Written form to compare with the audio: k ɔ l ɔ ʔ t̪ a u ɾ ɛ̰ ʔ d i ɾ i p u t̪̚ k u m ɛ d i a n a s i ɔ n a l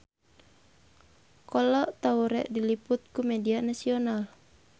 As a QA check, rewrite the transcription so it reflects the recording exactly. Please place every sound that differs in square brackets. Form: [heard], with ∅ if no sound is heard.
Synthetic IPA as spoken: k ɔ l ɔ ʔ t̪ a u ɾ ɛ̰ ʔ d i [l] i p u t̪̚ k u m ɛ d i a n a s i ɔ n a l